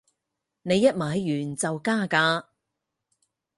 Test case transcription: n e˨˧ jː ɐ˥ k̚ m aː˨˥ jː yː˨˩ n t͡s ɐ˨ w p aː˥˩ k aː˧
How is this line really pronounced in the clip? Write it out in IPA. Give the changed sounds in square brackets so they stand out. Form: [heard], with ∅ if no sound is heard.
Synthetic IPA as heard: n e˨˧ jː ɐ˥ [t̚] m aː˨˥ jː yː˨˩ n t͡s ɐ˨ w [k] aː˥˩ k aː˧